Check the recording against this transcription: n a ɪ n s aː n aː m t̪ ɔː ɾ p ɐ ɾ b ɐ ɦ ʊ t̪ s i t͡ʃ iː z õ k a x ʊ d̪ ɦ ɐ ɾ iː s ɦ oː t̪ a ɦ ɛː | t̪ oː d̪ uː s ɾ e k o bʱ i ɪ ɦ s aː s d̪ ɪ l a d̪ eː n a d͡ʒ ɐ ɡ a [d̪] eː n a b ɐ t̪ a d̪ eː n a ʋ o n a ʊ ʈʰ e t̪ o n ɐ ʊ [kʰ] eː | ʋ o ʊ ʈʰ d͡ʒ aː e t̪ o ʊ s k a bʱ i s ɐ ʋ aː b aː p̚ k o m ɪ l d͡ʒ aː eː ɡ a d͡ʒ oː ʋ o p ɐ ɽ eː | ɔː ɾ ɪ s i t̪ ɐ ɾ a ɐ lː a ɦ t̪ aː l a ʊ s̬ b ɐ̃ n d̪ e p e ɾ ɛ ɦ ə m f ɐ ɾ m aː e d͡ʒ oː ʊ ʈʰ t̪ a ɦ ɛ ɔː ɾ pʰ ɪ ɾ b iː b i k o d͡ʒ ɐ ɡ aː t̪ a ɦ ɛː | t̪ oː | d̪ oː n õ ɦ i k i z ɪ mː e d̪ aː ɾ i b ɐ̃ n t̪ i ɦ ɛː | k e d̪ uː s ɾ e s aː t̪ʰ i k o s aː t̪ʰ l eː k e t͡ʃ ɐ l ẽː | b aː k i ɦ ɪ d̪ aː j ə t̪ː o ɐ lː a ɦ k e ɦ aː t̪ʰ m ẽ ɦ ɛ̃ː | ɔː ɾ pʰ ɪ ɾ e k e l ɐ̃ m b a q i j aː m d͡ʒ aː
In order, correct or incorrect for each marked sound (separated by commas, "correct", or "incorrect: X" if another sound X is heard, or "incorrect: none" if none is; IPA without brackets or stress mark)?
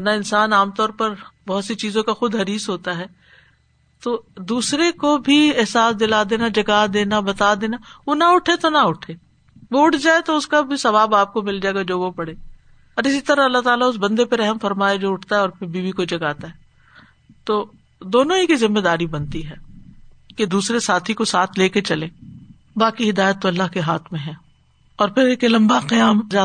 correct, incorrect: ʈʰ